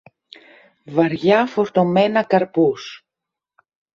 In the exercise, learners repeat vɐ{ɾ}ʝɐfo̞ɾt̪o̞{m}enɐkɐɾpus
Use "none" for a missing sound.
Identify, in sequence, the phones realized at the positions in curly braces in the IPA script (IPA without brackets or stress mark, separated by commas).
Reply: ɾ, m